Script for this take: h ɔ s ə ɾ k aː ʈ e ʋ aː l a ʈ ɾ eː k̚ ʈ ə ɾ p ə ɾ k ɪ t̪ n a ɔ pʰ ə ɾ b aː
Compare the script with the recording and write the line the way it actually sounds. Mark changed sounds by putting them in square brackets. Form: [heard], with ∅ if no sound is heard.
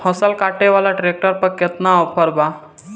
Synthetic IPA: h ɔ s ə [l] k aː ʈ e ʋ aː l a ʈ ɾ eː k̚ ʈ ə ɾ p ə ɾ k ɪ t̪ n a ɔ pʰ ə ɾ b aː